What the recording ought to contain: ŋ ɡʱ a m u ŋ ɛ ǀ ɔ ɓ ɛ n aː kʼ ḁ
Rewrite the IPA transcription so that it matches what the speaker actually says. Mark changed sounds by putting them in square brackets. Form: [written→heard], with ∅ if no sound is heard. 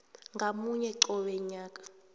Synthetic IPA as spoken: ŋ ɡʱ a m u [ŋ→ɲ] ɛ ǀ ɔ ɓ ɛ [n→ɲ] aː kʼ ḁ